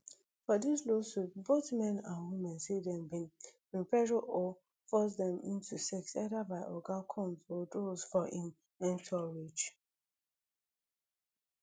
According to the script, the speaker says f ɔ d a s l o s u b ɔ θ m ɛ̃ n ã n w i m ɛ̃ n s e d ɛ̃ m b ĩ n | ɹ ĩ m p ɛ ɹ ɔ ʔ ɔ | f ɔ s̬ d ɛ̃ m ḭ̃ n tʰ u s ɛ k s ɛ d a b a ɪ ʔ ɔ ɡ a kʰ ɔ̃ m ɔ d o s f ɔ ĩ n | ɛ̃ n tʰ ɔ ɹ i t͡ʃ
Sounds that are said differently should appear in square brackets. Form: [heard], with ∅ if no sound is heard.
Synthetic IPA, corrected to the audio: f ɔ d [i] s l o s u b [o] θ m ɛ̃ n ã n w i m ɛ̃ n s e d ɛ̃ m b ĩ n | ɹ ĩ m p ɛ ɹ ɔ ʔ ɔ | f ɔ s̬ d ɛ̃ m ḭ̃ n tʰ u s ɛ k s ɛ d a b a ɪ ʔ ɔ ɡ a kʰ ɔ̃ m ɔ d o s f ɔ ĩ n | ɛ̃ n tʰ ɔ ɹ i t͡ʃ